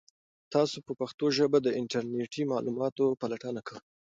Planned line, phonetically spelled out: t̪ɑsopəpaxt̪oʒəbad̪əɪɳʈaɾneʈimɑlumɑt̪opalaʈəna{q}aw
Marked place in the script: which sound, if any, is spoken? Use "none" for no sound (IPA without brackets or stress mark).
k